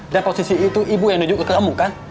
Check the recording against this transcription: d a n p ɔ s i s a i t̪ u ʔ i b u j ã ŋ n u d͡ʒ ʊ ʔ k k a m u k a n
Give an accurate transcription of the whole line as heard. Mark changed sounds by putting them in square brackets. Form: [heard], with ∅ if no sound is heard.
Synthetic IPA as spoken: d a n p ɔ s i s [i] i t̪ u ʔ i b u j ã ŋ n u d͡ʒ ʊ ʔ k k a m u k a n